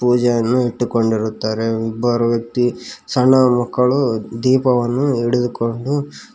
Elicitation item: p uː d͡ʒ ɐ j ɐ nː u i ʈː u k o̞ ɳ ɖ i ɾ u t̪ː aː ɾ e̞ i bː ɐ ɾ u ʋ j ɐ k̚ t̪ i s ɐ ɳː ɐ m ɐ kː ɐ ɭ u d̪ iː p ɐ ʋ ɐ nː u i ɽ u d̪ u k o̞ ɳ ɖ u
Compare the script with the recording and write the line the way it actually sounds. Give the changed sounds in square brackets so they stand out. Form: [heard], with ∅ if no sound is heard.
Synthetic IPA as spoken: p uː d͡ʒ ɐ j ɐ nː u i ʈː u k o̞ ɳ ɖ i ɾ u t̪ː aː ɾ e̞ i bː ɐ ɾ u ʋ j ɐ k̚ t̪ i s ɐ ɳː ɐ m ɐ kː ɐ ɭ u d̪ iː p ɐ ʋ ɐ nː u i ɽ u d̪ u k o̞ ɳ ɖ u